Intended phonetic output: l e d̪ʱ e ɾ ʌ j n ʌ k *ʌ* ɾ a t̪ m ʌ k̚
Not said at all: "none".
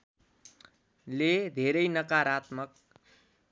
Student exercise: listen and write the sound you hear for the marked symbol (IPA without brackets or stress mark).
a